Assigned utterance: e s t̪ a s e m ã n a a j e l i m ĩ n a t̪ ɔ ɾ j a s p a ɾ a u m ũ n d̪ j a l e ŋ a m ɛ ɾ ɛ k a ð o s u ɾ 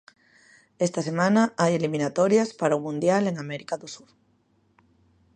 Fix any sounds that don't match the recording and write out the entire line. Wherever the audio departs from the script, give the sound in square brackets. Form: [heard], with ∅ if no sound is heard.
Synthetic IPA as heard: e s t̪ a s e m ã n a a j e l i m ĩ n a t̪ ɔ ɾ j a s p a ɾ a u m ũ n d̪ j a l e ŋ a m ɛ ɾ [i] k a ð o s u ɾ